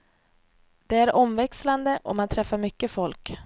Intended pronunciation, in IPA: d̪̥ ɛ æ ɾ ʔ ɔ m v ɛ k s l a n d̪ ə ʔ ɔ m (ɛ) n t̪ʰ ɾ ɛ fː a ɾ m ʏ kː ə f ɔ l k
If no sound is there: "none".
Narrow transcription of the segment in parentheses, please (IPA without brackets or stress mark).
a